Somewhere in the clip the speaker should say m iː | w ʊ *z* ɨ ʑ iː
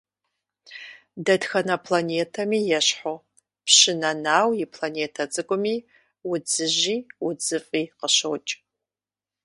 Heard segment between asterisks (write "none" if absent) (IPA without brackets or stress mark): d͡z